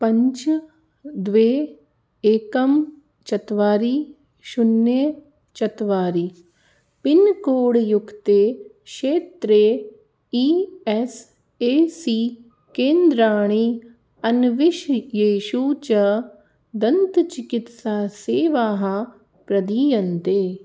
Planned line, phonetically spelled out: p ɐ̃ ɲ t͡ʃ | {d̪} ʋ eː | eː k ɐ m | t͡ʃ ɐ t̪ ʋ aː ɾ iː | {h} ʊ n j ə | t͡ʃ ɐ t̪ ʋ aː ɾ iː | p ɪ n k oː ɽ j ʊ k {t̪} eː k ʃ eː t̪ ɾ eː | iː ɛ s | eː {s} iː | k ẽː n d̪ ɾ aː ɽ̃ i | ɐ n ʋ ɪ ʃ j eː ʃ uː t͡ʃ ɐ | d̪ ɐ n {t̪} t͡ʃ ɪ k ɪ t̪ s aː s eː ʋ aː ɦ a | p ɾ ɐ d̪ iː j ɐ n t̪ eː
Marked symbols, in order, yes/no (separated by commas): yes, no, yes, yes, yes